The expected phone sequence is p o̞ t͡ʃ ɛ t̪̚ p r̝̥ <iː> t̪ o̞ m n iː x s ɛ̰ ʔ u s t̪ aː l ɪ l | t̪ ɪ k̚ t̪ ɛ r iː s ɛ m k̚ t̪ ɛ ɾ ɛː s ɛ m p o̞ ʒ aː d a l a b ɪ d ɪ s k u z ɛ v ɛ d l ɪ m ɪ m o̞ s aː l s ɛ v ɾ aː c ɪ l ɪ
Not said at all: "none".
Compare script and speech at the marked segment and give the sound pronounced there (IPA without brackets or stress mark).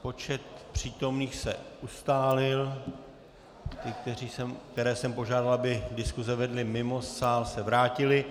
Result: iː